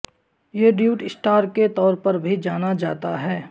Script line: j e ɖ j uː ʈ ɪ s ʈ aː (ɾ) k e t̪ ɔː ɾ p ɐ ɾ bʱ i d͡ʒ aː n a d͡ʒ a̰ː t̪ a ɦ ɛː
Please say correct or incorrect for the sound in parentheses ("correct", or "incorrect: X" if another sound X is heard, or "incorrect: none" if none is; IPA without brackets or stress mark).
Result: correct